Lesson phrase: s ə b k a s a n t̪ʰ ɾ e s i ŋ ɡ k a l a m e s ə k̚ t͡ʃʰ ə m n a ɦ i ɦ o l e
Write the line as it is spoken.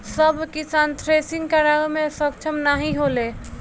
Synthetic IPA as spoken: s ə b k i s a n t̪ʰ ɾ e s i ŋ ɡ k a ɾ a m e s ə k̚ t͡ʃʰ ə m n a ɦ i ɦ o l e